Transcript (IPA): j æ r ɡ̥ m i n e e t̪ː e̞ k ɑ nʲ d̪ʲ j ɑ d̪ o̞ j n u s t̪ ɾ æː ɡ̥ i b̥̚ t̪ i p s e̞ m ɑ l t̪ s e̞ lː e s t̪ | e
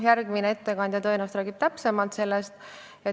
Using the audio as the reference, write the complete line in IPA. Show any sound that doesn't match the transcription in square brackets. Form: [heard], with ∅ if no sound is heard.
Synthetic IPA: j æ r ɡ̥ m i n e e t̪ː e̞ k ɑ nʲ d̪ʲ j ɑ [t̪] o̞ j n u s t̪ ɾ æː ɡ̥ i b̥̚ t̪ [æ] p s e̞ m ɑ l t̪ s e̞ lː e s t̪ | e